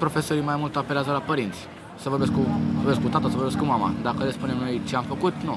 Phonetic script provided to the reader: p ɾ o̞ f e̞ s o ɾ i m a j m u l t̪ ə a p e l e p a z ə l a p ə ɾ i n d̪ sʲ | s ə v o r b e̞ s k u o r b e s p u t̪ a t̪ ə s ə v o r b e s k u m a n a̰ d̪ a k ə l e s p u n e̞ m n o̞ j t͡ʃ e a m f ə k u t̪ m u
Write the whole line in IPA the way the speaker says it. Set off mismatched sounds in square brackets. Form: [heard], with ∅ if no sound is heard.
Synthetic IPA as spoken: p ɾ o̞ f e̞ s o ɾ i m a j m u l t̪ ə a p e l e [∅] a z ə l a p ə ɾ i n [t̪] sʲ | s ə v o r b e̞ s k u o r b e s [k] u t̪ a t̪ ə s ə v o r b e s k u m a [m] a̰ d̪ a k ə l e s p u n e̞ m n o̞ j t͡ʃ e a m f ə k u t̪ [n] u